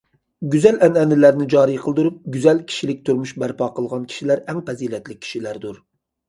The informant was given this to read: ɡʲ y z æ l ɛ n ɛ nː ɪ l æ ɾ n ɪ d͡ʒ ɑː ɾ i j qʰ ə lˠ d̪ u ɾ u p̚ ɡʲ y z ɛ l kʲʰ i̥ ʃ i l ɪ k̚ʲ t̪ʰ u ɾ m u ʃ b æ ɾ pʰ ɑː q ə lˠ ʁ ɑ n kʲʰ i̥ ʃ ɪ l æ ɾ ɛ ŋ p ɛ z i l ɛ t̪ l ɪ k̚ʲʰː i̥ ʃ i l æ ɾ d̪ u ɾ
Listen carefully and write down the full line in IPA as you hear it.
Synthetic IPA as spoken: ɡʲ y z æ l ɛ n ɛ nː ɪ l æ ɾ n ɪ d͡ʒ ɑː ɾ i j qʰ ə lˠ d̪ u ɾ u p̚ ɡʲ y z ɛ l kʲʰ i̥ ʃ i l ɪ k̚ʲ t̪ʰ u ɾ m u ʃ b æ ɾ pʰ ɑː q ə lˠ ʁ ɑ n kʲʰ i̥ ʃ i l æ ɾ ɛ ŋ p ɛ z i l ɛ t̪ l ɪ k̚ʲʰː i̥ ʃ i l æ ɾ d̪ u ɾ